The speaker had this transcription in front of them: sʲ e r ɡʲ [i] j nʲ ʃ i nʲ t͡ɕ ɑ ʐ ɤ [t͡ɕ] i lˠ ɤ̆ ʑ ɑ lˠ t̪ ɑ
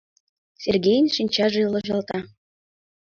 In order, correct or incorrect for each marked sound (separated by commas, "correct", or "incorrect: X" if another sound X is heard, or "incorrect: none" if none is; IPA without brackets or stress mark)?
incorrect: e, incorrect: none